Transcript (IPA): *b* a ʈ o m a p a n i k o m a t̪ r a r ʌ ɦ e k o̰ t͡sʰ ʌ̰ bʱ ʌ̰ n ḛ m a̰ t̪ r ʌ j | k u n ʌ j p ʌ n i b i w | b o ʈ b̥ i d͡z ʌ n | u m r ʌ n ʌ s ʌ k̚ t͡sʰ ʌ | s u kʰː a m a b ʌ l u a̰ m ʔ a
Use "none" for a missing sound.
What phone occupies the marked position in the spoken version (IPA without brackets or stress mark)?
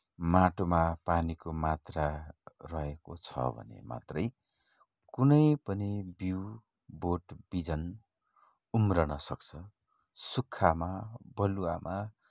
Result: m